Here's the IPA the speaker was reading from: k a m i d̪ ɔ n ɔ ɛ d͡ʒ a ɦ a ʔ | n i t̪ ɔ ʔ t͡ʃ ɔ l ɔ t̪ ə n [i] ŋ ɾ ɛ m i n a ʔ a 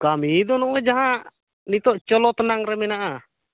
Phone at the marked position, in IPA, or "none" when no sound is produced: a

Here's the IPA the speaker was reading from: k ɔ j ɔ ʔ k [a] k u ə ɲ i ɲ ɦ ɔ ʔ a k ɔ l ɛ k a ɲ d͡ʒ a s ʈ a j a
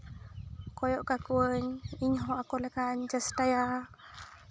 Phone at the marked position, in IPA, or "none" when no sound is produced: a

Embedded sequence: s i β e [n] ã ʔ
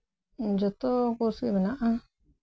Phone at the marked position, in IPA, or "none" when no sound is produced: n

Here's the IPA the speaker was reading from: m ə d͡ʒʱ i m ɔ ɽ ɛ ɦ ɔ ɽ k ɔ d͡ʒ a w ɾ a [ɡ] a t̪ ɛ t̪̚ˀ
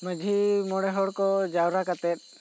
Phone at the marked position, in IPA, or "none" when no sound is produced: k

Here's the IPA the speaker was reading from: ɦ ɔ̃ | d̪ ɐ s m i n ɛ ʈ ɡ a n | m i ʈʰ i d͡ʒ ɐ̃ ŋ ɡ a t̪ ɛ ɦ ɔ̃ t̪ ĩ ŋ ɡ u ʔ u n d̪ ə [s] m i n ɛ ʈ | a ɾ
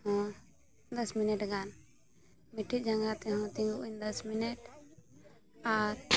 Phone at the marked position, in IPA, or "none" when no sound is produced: s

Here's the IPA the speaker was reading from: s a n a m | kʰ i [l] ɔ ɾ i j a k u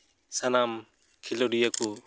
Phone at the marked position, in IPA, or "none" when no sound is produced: l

